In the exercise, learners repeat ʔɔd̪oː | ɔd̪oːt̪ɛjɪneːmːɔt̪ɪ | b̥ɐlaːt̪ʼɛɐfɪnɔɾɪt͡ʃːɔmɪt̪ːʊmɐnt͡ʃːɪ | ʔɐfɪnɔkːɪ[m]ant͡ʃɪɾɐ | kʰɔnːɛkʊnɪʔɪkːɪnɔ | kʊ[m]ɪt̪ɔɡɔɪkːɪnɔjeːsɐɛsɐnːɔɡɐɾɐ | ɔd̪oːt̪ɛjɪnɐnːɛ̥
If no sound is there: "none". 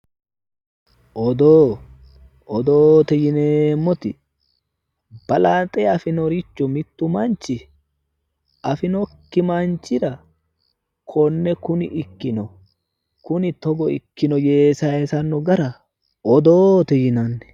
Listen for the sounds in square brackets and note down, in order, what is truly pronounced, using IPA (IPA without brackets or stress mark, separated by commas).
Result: m, n